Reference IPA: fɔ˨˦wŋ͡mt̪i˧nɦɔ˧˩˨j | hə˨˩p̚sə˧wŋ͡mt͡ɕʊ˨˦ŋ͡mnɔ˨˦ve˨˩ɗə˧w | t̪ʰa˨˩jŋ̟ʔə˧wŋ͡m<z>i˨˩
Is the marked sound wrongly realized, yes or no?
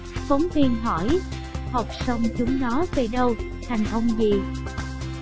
no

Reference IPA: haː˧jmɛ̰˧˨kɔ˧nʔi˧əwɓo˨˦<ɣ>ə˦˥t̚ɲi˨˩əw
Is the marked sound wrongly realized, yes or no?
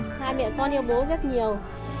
yes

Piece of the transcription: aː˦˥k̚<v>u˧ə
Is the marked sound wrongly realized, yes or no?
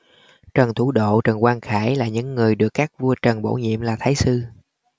no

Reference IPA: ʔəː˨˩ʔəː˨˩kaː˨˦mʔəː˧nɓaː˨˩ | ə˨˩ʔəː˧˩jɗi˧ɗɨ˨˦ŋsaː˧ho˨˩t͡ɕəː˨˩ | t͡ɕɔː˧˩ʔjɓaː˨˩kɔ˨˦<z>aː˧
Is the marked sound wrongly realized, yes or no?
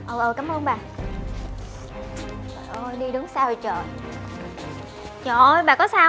yes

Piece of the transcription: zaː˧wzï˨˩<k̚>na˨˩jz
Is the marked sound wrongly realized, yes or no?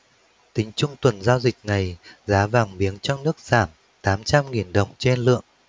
no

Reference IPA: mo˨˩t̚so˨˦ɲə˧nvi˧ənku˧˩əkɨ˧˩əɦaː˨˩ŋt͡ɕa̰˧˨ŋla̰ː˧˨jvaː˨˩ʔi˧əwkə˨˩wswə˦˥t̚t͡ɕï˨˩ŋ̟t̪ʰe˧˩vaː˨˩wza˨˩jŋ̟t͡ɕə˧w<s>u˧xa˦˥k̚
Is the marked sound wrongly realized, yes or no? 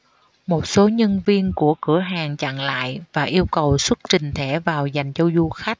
yes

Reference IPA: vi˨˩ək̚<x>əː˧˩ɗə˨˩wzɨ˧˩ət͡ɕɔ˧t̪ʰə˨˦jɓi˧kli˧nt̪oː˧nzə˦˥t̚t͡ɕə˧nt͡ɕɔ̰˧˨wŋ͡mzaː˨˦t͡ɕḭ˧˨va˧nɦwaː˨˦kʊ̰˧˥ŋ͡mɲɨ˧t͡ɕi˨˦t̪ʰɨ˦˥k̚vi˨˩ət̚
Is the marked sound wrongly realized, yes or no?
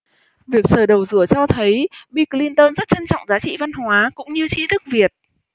yes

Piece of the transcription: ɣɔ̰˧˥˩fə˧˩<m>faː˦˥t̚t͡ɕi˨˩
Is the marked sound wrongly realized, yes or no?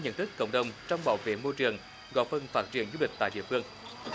yes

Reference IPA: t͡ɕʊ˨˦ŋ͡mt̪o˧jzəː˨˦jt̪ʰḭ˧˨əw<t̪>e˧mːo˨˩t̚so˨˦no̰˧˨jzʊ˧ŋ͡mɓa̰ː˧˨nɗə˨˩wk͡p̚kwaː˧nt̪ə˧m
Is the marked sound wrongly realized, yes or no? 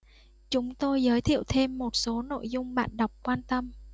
yes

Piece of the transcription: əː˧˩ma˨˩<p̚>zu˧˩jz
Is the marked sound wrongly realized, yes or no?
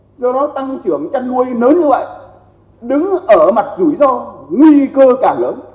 yes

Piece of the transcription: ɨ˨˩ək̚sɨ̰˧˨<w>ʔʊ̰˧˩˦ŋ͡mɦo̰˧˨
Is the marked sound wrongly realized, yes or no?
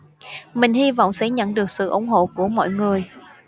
yes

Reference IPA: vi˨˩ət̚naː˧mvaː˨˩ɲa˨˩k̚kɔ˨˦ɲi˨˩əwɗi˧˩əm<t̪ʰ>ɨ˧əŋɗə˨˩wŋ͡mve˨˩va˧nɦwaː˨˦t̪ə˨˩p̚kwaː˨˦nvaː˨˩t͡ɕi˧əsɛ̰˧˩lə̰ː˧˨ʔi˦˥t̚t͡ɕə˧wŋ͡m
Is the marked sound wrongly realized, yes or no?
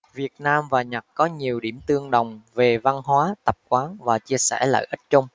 yes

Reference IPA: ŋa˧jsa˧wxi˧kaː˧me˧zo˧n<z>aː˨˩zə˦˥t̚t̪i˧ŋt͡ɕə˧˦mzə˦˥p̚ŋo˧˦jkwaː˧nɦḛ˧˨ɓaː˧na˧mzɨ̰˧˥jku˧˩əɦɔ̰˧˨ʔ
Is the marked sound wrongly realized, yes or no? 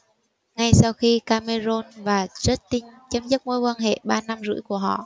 yes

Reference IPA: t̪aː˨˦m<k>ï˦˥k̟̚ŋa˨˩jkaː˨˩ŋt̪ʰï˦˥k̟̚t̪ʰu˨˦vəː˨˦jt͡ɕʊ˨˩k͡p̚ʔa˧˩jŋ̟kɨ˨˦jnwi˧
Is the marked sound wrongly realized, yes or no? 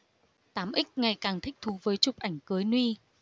yes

